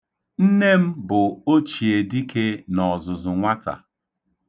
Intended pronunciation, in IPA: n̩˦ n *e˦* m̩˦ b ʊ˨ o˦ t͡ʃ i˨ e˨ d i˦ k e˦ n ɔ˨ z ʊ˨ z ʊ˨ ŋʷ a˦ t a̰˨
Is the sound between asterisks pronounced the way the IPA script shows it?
yes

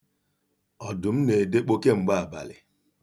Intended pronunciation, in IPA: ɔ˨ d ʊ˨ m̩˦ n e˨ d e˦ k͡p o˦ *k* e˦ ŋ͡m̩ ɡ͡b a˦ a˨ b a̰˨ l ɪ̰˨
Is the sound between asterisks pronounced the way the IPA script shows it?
yes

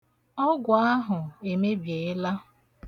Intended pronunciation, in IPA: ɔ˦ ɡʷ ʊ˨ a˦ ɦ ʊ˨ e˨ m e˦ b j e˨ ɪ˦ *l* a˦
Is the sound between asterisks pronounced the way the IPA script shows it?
yes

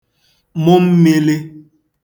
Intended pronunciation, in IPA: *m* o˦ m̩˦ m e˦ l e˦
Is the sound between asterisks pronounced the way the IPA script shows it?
yes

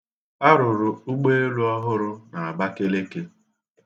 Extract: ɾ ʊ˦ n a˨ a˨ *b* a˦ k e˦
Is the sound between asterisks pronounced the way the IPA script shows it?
yes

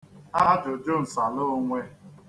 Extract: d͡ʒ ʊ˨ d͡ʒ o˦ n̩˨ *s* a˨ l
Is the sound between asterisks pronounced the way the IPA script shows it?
yes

